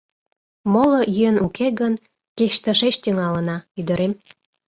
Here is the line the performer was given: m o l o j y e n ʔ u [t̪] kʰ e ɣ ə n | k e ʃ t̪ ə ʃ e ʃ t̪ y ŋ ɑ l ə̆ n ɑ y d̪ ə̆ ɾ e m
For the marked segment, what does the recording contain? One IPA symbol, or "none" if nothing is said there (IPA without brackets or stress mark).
none